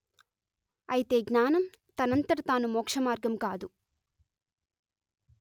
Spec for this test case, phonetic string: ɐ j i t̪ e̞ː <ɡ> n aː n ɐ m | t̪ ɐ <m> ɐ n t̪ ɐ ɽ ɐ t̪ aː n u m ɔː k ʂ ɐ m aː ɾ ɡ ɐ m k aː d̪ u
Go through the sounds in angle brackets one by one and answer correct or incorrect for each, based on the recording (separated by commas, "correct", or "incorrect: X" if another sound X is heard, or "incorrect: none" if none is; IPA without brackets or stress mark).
correct, incorrect: n